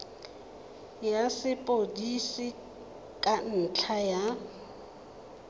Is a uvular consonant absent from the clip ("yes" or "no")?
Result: yes